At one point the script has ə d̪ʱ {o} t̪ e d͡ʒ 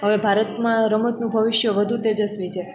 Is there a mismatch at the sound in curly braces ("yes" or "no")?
yes